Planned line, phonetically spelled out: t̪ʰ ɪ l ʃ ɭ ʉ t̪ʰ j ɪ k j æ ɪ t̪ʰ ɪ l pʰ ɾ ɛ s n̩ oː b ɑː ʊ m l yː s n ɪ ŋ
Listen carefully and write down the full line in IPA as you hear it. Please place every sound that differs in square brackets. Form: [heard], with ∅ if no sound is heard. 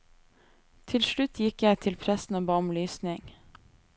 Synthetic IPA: t̪ʰ ɪ l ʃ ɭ ʉ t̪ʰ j ɪ k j æ ɪ t̪ʰ ɪ l pʰ ɾ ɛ s n̩ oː b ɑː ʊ m l yː s n ɪ ŋ